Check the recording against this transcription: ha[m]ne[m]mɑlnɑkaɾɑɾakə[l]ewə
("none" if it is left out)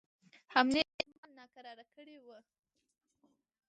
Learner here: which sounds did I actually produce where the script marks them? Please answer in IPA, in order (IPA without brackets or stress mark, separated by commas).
m, m, ɽ